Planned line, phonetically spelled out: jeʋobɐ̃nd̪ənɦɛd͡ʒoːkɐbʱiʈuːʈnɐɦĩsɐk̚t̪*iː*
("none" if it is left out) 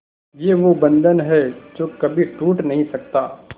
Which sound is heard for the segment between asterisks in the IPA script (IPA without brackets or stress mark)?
aː